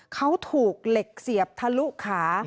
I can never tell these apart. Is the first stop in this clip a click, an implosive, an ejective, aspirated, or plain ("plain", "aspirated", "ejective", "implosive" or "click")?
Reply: aspirated